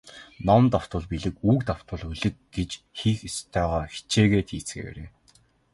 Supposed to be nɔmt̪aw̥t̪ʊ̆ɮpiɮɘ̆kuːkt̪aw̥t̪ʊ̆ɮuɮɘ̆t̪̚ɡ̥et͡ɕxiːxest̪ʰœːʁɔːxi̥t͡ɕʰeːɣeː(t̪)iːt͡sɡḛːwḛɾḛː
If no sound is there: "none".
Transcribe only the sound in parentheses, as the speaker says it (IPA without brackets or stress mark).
t̪ʰ